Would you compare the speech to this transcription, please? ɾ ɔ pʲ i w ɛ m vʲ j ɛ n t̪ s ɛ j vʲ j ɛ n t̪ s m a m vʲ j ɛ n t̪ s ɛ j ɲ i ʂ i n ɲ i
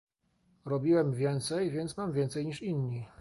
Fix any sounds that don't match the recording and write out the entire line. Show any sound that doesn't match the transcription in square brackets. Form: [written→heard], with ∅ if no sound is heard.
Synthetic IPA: ɾ ɔ [pʲ→bʲ] i w ɛ m vʲ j ɛ n t̪ s ɛ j vʲ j ɛ n t̪ s m a m vʲ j ɛ n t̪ s ɛ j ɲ i ʂ i n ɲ i